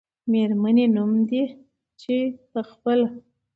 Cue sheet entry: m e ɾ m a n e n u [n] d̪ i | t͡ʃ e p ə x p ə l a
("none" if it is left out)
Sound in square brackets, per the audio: m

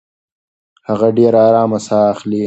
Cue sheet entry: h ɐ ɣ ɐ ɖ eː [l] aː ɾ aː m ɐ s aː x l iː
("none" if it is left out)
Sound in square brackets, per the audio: ɾ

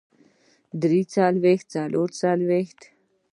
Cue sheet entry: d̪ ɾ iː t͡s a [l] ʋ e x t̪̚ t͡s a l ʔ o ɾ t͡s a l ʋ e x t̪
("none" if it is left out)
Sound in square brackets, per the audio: l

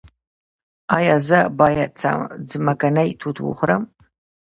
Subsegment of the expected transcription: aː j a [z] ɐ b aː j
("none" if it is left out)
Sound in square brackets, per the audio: z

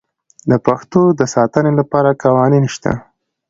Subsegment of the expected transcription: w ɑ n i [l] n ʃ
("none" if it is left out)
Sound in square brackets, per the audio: none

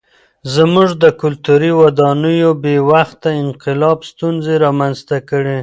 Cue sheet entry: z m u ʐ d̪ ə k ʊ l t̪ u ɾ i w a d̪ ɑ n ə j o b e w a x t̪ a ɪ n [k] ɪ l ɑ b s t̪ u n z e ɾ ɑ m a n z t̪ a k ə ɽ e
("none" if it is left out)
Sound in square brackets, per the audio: q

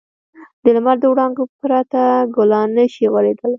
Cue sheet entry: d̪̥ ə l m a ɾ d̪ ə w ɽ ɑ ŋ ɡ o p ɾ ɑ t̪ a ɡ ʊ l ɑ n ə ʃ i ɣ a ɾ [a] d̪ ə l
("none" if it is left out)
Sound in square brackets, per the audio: e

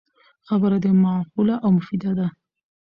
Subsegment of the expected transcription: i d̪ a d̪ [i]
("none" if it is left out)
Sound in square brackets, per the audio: a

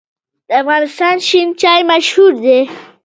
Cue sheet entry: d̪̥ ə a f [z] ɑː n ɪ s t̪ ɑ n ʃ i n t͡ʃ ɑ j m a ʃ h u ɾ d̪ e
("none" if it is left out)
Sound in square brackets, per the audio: ɣ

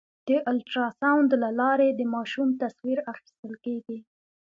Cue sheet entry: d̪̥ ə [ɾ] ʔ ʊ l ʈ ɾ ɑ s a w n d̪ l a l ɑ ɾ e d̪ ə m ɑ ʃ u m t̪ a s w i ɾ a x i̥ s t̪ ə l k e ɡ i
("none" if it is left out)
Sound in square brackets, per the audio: none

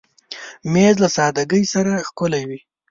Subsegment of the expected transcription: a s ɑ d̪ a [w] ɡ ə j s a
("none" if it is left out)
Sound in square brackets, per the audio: none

